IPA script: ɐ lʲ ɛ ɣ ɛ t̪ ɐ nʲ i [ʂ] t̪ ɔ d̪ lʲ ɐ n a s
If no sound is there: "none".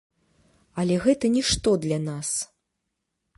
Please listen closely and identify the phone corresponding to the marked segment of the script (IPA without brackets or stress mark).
ʂ